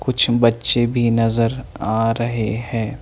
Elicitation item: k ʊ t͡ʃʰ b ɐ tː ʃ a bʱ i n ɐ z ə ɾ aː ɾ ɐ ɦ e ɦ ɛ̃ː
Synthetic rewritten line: k ʊ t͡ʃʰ b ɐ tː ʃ e bʱ i n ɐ z ə ɾ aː ɾ ɐ ɦ e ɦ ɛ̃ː